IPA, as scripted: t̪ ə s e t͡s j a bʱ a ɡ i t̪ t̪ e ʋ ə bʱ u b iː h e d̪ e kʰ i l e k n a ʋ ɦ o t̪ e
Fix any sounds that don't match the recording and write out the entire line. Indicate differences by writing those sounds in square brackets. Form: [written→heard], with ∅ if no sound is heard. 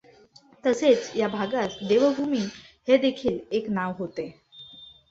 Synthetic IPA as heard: t̪ ə s e t͡s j a bʱ a ɡ [i→a] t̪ [t̪→d̪] e ʋ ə bʱ u [b→m] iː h e d̪ e kʰ [i→iː] l e k n a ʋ ɦ o t̪ e